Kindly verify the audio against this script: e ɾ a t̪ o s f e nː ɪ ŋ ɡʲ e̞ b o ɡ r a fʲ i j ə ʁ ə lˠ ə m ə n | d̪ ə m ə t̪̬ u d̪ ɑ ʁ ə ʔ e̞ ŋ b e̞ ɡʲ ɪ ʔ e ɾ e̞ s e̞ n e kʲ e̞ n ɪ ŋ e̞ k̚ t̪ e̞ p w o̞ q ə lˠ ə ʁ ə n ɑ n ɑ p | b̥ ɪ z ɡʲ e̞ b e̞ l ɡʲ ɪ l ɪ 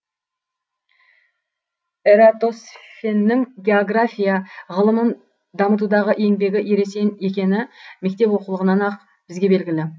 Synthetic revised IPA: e ɾ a t̪ o s f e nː ɪ ŋ ɡʲ e̞ o ɡ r a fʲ i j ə ʁ ə lˠ ə m ə n | d̪ ɑ m ə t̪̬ u d̪ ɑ ʁ ə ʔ e̞ ŋ b e̞ ɡʲ ɪ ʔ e ɾ e̞ s e̞ n e kʲ e̞ n ɪ m e̞ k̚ t̪ e̞ p w o̞ q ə lˠ ə ʁ ə n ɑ n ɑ q | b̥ ɪ z ɡʲ e̞ b e̞ l ɡʲ ɪ l ɪ